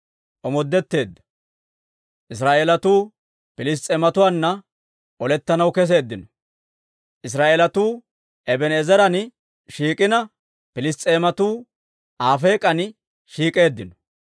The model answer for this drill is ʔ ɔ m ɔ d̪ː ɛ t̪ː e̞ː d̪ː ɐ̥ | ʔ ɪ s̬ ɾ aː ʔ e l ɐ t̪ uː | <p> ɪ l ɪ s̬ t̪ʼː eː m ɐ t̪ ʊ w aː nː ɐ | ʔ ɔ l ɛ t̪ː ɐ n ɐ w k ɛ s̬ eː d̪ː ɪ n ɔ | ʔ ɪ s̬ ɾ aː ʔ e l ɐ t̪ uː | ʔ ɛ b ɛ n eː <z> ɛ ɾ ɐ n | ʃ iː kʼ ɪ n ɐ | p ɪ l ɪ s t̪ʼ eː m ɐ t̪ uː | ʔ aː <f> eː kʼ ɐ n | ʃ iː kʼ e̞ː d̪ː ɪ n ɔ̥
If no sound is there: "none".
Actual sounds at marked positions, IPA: p, z, f

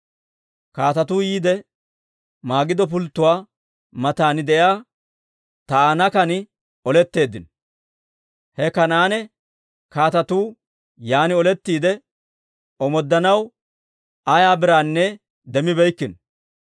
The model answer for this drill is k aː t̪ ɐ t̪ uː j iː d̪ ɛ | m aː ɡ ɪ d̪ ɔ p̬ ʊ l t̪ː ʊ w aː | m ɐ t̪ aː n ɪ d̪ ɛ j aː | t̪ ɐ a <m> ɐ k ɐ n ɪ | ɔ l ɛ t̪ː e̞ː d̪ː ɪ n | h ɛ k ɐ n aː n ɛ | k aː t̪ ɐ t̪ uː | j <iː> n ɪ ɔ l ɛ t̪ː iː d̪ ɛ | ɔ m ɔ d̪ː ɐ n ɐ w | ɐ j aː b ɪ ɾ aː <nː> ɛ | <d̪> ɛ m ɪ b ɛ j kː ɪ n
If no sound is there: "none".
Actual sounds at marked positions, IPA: n, aː, nː, d̪

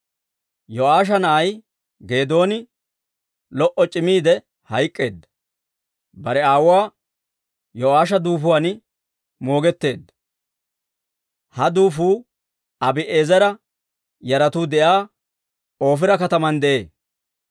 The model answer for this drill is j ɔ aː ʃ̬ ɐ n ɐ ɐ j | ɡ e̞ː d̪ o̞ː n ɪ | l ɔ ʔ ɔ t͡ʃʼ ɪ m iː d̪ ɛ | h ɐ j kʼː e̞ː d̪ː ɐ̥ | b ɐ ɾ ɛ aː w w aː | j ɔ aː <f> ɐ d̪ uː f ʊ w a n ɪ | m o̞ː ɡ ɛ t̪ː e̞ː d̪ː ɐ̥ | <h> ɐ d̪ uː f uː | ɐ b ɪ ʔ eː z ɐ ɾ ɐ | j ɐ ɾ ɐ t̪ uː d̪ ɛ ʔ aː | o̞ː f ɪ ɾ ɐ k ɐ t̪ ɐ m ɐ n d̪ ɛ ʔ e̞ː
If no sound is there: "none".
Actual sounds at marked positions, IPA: ʃ, h

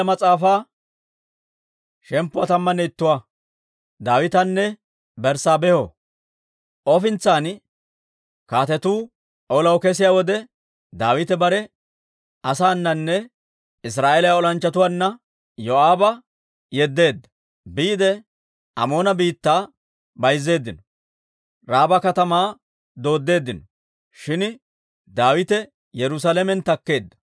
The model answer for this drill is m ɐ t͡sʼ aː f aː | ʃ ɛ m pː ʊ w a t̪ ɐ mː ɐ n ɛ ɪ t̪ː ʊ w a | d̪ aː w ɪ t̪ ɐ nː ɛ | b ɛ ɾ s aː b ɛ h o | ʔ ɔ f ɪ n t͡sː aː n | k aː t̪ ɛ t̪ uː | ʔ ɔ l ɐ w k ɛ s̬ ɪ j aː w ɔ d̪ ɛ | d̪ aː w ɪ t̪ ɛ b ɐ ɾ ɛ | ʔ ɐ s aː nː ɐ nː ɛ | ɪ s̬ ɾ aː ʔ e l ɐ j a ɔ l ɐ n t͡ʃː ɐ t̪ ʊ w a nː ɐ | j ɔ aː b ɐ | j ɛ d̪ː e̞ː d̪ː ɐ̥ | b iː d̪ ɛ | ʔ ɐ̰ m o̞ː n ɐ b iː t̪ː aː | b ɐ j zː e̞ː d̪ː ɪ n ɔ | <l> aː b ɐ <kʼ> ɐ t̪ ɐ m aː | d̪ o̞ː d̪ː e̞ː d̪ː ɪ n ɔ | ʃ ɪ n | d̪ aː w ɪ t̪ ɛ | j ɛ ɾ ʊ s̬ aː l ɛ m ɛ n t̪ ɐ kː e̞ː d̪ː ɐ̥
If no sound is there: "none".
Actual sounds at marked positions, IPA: ɾ, k

